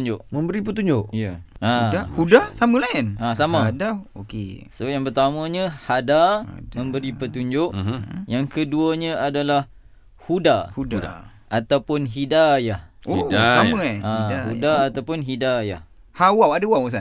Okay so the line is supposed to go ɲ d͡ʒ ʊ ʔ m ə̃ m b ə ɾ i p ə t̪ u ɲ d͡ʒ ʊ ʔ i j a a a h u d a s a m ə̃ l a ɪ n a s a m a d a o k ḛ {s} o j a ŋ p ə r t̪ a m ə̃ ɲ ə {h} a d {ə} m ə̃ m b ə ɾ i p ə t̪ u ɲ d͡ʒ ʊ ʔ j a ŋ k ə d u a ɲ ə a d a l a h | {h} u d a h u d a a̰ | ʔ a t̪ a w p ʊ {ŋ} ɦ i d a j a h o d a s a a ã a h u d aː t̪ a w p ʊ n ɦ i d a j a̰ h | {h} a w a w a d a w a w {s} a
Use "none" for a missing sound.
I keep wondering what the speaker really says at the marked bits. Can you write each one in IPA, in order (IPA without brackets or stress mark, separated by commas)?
s, h, a, h, n, h, s